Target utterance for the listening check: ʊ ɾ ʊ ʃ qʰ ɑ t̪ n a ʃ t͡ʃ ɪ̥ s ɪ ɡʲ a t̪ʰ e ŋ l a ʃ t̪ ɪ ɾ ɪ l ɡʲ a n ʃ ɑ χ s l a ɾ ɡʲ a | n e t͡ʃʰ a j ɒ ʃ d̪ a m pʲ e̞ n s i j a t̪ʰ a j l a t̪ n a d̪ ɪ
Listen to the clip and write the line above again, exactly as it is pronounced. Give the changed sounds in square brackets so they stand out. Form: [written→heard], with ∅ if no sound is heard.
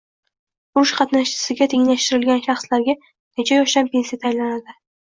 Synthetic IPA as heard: ʊ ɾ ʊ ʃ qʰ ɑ t̪ n a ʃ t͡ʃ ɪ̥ s ɪ ɡʲ a t̪ʰ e ŋ l a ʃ t̪ ɪ ɾ ɪ l ɡʲ a n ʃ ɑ χ s l a ɾ ɡʲ a | n e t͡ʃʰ a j ɒ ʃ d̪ a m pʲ e̞ n s i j a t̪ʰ a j l a [t̪→∅] n a d̪ ɪ